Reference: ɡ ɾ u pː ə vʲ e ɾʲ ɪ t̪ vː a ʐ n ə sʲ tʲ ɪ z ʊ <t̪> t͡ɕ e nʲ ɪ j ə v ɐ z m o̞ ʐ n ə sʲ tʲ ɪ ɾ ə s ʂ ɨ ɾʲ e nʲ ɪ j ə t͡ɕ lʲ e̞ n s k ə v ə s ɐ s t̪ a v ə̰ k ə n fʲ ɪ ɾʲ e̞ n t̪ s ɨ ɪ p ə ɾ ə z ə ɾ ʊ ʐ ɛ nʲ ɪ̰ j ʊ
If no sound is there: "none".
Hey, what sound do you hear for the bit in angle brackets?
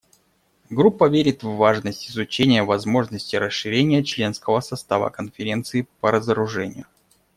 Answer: none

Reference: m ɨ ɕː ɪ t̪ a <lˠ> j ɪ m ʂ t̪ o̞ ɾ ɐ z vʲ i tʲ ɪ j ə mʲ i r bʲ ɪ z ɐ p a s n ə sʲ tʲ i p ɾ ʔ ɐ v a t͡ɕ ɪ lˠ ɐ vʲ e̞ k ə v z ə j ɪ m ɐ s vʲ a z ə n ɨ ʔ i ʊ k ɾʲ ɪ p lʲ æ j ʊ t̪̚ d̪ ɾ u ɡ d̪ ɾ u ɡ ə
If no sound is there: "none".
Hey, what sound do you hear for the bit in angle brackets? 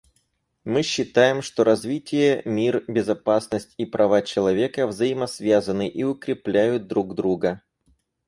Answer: none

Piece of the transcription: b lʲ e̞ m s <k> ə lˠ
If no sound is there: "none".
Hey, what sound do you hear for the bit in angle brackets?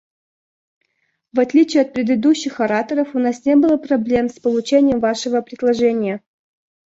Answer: p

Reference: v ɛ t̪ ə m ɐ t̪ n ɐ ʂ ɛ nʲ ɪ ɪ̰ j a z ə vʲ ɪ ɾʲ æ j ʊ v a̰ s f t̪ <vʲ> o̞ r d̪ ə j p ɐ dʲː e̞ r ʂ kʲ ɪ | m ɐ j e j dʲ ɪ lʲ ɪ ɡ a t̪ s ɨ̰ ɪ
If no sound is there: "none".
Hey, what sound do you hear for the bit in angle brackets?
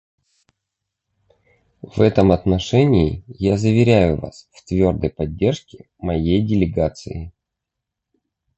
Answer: vʲ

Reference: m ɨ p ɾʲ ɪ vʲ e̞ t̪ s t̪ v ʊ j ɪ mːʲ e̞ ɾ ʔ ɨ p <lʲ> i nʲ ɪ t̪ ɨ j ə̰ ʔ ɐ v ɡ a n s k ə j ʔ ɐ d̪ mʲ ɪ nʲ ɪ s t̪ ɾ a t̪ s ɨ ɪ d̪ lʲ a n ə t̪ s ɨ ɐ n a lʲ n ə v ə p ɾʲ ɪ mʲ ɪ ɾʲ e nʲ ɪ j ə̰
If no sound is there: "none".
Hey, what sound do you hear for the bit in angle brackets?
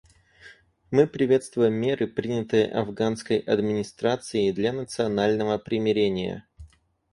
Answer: ɾʲ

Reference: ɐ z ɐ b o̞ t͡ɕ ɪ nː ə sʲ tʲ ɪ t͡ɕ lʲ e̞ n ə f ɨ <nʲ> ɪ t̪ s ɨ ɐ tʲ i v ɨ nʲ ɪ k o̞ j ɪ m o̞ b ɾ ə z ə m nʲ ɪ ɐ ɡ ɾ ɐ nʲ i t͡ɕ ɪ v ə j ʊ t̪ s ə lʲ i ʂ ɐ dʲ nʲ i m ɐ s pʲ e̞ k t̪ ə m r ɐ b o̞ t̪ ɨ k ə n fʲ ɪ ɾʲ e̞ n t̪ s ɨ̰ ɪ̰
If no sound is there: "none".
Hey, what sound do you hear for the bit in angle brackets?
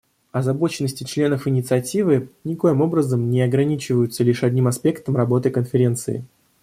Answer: nʲ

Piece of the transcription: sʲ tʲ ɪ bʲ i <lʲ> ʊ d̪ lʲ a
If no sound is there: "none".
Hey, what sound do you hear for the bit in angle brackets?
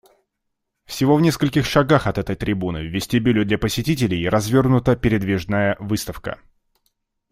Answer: lʲ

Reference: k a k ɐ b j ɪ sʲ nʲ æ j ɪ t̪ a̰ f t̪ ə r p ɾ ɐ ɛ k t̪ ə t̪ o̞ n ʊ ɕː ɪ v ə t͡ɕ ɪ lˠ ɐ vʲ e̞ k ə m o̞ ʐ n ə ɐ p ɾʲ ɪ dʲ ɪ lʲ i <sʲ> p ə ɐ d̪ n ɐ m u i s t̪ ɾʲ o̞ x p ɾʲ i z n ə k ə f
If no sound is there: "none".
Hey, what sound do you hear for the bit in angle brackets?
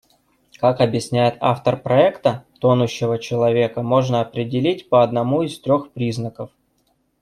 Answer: tʲ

